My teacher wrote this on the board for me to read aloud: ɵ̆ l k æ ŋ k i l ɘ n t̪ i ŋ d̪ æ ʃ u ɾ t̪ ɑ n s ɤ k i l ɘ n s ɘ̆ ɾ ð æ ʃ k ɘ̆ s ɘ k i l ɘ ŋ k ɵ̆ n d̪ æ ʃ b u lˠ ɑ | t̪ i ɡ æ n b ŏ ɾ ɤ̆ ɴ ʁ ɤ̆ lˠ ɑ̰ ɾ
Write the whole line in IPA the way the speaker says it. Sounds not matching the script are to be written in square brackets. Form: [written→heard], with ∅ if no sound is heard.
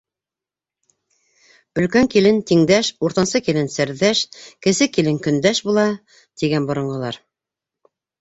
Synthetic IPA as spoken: ɵ̆ l k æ ŋ k i l ɘ n t̪ i ŋ d̪ æ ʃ u ɾ t̪ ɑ n s ɤ k i l ɘ n s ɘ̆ ɾ ð æ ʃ k ɘ̆ s ɘ k i l ɘ ŋ k ɵ̆ n d̪ æ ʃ b u lˠ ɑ | t̪ i ɡ æ n b ŏ ɾ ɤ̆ ɴ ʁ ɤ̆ lˠ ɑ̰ ɾ